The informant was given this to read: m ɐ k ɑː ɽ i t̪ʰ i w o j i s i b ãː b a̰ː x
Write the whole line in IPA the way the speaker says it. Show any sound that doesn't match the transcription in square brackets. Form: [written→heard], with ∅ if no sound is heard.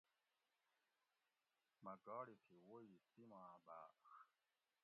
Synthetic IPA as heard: m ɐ [k→ɡ] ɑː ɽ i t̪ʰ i w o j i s i [b→m] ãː b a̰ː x